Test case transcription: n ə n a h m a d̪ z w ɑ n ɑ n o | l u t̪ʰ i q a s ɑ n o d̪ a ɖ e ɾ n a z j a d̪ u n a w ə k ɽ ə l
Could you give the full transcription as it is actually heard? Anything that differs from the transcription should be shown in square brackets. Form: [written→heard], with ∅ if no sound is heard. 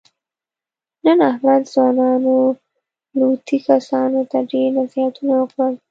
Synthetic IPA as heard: n ə n a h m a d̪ z w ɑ n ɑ n o | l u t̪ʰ i [q→k] a s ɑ n o [d̪→t̪] a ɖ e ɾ n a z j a [d̪→t̪] u n a w ə k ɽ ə l